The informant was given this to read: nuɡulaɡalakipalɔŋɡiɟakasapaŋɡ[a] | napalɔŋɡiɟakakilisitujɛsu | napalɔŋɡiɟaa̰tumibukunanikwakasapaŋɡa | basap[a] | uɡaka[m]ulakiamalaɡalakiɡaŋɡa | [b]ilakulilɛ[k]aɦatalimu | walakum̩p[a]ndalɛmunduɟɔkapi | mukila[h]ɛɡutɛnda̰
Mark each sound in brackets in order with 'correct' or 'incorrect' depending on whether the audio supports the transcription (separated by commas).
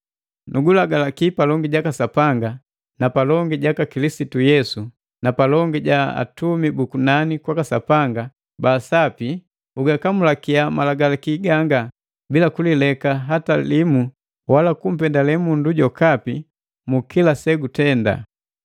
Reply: correct, incorrect, correct, correct, correct, incorrect, incorrect